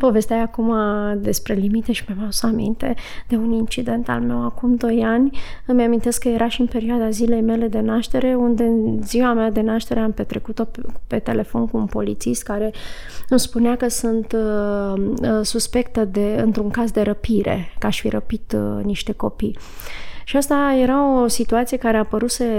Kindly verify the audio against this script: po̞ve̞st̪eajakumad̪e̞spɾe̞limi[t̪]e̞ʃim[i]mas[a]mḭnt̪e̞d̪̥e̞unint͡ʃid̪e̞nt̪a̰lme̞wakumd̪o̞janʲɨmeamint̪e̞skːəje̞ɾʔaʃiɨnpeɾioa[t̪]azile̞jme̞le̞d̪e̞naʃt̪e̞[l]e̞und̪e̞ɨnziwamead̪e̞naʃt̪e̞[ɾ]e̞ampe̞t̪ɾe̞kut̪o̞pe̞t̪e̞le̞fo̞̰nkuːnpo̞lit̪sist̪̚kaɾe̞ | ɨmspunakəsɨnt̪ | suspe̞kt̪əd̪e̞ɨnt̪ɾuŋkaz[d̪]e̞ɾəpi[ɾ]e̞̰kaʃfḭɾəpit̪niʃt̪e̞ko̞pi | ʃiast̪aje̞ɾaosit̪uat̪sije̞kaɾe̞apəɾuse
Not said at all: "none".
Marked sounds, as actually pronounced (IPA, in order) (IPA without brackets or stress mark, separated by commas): t̪, a, a, d̪, ɾ, ɾ, d̪, ɾ